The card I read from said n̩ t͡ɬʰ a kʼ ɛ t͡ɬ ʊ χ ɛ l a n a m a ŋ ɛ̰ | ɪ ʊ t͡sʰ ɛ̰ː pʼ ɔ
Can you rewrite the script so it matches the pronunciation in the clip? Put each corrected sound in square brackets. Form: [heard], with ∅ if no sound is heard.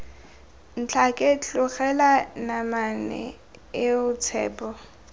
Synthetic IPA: n̩ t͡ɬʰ a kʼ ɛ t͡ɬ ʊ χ ɛ l a n a m a [n] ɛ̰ | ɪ ʊ t͡sʰ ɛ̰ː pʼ ɔ